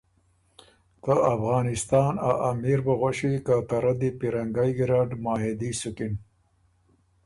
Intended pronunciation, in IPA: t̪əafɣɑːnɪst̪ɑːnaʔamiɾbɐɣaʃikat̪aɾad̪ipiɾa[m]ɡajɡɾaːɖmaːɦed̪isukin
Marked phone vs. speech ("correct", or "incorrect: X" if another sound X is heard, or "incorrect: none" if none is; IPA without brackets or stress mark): incorrect: ŋ